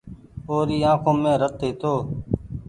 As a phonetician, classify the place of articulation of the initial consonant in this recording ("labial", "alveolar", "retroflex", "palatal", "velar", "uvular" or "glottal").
alveolar